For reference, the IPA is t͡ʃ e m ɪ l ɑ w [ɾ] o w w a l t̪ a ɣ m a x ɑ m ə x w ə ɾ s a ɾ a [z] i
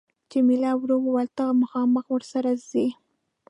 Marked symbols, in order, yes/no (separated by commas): yes, yes